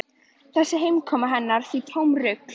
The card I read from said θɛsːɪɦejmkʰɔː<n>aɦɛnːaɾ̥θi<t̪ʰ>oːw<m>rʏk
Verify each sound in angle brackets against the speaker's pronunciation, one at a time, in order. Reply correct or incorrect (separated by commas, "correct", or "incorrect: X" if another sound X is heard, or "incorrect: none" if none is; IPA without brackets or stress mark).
incorrect: m, correct, correct